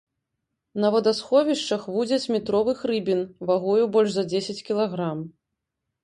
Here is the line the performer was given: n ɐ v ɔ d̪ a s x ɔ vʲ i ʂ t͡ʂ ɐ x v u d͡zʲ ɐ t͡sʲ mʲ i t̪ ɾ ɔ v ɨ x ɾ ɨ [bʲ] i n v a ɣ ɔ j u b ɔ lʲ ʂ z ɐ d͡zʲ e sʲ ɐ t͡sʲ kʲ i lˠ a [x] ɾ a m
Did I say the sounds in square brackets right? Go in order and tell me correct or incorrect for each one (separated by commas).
correct, incorrect